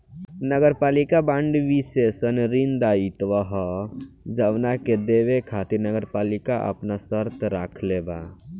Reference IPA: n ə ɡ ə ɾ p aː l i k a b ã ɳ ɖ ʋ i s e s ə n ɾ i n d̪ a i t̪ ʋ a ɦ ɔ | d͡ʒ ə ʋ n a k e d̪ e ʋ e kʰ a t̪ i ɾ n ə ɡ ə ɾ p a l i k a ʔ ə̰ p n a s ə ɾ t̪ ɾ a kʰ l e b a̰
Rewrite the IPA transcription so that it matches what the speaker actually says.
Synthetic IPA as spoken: n ə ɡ ə ɾ p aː l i k a b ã ɳ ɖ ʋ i s e s ə n ɾ i n d̪ a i t̪ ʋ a ɦ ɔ | d͡ʒ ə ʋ n a k e d̪ e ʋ e kʰ a t̪ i ɾ n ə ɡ ə ɾ p a l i k a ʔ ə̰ p n a s ə ɾ t̪ ɾ a kʰ l e b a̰